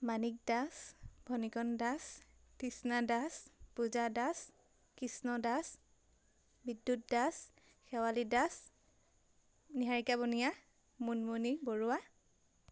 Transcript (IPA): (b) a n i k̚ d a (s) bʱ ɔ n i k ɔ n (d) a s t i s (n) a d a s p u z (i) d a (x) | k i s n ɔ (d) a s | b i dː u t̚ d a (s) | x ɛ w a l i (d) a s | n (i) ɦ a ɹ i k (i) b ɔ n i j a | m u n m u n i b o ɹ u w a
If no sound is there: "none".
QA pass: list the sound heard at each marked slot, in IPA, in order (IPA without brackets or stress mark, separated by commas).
m, s, d, n, a, s, d, s, d, i, a